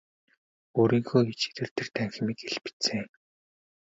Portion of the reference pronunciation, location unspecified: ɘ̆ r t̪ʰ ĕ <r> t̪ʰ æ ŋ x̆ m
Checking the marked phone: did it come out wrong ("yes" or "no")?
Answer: no